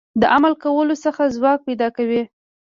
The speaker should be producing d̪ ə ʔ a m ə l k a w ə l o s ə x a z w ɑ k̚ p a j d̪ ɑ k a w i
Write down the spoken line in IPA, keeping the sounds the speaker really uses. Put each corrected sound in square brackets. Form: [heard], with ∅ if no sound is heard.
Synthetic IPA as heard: d̪ ə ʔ a m [a] l k a w ə l o s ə x a z w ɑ k̚ p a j d̪ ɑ k a w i